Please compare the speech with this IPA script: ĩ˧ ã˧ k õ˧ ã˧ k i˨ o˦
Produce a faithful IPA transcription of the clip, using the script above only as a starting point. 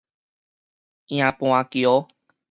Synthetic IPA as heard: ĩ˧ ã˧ p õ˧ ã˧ k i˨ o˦